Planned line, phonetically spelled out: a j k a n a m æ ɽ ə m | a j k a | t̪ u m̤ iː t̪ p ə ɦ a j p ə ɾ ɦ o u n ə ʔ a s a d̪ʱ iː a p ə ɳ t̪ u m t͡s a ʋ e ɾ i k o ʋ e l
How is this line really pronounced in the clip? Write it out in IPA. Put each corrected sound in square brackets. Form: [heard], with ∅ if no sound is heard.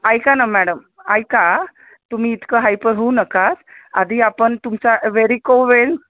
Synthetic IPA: a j k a n a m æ ɽ ə m | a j k a | t̪ u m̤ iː t̪ [k] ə ɦ a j p ə ɾ ɦ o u n ə [k] a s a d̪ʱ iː a p ə ɳ t̪ u m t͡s a ʋ e ɾ i k o ʋ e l